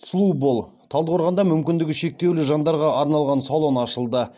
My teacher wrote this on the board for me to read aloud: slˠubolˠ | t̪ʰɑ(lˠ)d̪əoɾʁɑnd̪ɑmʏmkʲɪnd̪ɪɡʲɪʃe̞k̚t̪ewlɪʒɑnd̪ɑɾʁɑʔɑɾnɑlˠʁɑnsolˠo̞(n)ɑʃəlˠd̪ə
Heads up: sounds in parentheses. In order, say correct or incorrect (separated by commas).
correct, correct